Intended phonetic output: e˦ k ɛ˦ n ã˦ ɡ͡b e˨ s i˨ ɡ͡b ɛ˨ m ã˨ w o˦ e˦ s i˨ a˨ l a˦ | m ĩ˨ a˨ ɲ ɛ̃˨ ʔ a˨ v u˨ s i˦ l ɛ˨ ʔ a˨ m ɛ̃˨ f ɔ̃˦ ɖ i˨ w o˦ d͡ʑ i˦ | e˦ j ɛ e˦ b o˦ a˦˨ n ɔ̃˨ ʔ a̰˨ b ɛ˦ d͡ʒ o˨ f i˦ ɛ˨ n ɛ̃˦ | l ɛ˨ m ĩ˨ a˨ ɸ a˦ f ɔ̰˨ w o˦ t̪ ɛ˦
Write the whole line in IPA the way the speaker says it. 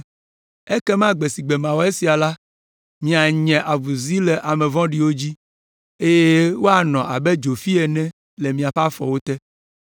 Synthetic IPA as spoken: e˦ k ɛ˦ m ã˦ ɡ͡b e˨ s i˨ ɡ͡b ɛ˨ m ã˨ w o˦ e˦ s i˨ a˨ l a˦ | m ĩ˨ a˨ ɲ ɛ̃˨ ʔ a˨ v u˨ z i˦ l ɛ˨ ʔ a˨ m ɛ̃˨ v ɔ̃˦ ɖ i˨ w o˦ d͡ʑ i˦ | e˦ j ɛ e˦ w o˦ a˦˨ n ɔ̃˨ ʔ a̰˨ b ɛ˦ d͡ʒ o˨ f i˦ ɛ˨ n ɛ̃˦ | l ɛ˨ m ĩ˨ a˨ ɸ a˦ f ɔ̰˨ w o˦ t̪ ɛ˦